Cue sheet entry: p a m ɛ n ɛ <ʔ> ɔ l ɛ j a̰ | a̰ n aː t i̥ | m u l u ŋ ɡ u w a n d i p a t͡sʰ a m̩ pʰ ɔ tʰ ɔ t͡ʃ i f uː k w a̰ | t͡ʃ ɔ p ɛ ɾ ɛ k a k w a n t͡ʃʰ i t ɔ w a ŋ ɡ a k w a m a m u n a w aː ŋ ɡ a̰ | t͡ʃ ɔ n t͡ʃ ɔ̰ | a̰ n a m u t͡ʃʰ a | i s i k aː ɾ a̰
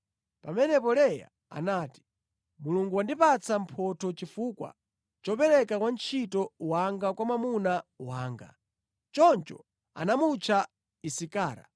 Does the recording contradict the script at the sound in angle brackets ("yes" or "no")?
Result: yes